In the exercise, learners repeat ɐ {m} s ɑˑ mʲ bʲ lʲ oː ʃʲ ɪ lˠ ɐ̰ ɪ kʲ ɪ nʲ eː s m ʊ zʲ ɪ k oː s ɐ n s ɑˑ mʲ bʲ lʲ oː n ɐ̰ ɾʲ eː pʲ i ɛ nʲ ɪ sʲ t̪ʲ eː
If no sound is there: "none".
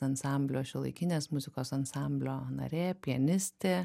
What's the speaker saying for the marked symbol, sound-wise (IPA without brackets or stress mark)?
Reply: n